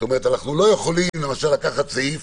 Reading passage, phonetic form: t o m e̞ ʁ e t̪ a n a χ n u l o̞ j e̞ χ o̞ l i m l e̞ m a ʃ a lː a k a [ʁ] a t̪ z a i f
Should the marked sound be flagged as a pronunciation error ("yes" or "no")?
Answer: yes